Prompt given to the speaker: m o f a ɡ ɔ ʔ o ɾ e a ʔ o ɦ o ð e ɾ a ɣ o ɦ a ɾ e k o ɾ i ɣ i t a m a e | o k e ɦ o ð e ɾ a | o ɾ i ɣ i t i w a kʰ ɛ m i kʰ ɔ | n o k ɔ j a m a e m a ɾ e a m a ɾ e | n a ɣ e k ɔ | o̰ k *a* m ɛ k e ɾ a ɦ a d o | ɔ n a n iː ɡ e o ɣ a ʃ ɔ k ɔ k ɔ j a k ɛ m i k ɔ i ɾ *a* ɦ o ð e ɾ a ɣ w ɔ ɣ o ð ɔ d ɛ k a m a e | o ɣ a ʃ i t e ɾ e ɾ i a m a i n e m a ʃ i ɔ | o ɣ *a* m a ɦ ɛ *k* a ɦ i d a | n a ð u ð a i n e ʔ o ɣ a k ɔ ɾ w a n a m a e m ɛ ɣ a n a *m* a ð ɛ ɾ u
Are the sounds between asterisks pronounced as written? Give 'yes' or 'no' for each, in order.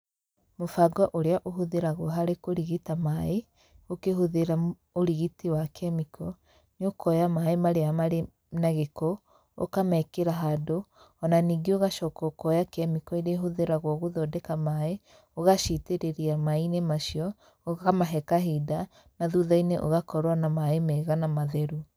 yes, no, yes, yes, yes

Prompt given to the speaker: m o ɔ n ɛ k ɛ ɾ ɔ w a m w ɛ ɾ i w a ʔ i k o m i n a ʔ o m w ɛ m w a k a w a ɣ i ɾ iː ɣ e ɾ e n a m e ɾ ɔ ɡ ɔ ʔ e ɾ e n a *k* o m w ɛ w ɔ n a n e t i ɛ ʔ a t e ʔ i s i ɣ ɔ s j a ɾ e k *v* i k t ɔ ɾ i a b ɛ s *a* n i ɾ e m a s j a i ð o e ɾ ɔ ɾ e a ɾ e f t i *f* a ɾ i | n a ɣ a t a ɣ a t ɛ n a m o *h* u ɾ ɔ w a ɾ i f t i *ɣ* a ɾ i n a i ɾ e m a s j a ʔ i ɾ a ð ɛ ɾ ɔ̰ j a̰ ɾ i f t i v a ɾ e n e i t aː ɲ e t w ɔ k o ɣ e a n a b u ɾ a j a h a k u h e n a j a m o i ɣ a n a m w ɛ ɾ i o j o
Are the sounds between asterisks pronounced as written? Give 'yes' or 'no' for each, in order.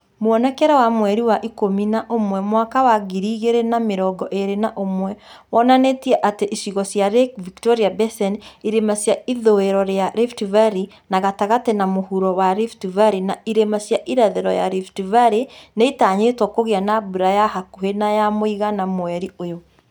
no, yes, no, no, yes, no

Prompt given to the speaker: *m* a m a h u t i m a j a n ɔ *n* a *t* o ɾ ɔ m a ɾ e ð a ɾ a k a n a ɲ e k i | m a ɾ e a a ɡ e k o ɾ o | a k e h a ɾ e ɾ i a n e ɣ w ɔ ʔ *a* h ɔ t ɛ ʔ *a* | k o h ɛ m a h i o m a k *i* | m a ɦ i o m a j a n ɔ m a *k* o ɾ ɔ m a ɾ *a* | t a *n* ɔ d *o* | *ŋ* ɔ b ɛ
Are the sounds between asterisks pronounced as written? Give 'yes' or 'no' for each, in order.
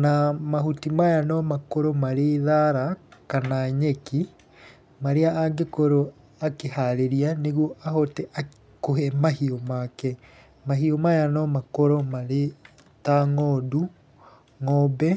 no, no, no, yes, yes, no, yes, no, no, no, yes

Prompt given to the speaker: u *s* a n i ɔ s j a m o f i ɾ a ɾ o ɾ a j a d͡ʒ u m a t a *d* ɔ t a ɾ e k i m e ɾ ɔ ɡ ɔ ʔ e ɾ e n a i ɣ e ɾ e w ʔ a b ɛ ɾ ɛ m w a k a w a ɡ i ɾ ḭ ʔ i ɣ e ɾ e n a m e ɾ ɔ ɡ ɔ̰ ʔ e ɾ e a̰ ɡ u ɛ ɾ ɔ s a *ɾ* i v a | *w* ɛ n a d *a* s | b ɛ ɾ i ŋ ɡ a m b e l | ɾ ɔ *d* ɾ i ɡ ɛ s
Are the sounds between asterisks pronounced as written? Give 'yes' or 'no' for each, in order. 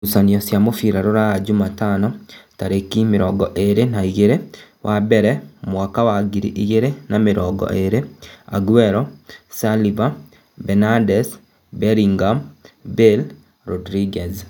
yes, no, no, no, no, yes

